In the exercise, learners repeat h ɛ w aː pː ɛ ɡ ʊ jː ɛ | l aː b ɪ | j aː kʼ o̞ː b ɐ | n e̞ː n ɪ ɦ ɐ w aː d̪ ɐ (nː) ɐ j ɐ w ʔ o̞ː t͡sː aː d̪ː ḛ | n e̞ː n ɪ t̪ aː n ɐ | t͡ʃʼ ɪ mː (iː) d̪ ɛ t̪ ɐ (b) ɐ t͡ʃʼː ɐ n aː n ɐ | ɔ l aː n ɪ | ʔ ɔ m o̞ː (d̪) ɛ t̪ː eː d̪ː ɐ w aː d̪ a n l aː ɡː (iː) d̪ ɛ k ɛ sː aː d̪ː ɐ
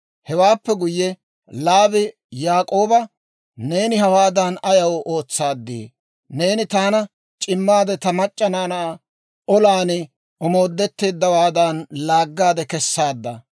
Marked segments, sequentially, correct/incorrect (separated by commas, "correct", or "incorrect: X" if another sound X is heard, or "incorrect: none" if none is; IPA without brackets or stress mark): incorrect: n, incorrect: aː, incorrect: m, incorrect: d̪ː, incorrect: aː